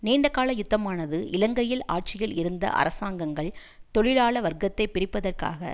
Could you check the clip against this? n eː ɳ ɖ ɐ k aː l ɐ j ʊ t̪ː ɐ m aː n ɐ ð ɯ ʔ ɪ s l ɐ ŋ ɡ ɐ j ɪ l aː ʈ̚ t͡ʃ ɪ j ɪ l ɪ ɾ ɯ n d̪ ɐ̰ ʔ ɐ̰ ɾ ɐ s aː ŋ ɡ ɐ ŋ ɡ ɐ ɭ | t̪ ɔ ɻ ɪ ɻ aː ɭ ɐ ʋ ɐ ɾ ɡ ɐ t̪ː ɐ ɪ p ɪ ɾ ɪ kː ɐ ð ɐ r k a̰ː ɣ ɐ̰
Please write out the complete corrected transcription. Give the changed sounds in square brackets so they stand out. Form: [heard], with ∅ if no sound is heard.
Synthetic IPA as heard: n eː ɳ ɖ ɐ k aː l ɐ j ʊ t̪ː ɐ m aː n ɐ ð ɯ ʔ ɪ [∅] l ɐ ŋ ɡ ɐ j ɪ l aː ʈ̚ t͡ʃ ɪ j ɪ l ɪ ɾ ɯ n d̪ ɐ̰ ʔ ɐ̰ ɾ ɐ s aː ŋ ɡ ɐ ŋ ɡ ɐ ɭ | t̪ ɔ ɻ ɪ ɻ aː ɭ ɐ ʋ ɐ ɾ ɡ ɐ t̪ː ɐ ɪ p ɪ ɾ ɪ [pː] ɐ ð ɐ r k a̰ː ɣ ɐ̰